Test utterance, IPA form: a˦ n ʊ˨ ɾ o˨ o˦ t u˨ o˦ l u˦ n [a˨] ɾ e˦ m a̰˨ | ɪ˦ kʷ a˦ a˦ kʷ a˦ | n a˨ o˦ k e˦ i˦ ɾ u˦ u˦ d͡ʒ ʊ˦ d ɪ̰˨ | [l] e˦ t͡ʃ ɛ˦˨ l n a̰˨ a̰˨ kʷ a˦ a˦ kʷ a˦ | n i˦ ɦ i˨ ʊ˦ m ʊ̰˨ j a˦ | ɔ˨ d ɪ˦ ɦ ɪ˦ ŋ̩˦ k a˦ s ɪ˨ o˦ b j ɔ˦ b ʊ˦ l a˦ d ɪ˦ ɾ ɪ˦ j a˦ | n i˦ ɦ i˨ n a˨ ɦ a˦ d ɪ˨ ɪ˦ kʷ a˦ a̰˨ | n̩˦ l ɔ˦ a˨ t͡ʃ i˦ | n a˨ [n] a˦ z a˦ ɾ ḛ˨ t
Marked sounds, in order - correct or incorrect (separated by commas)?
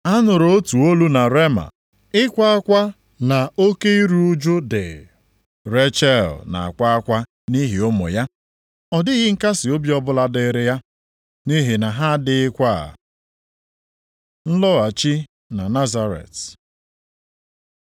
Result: correct, incorrect, correct